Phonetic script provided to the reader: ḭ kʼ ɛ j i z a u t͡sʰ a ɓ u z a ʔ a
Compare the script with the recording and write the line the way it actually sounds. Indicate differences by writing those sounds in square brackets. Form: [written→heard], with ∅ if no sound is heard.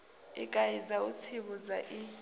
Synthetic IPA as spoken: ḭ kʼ [ɛ→a] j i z a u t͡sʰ [a→i] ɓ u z a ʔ [a→i]